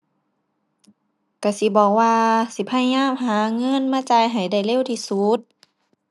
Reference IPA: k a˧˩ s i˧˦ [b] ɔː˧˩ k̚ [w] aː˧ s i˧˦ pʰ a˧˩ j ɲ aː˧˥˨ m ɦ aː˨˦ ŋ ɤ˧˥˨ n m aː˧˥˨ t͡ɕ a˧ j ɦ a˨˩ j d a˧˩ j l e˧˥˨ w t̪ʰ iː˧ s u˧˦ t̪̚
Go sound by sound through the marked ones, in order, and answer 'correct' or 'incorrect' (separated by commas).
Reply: correct, correct